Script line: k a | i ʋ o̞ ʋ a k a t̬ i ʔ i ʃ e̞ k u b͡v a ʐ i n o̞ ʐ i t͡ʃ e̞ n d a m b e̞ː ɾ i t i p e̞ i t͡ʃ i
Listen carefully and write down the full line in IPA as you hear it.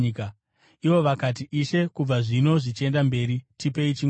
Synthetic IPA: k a | i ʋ o̞ ʋ a k a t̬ i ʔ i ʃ e̞ k u b͡v a ʐ i n o̞ ʐ i t͡ʃ e̞ n d a m b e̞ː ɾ i t i p e̞ i t͡ʃ i